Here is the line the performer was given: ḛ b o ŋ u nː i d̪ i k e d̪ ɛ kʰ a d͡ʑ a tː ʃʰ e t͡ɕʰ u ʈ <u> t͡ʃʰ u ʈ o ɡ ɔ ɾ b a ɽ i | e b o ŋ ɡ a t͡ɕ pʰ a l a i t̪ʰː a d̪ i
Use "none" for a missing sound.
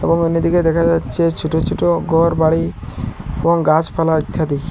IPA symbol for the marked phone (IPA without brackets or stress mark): o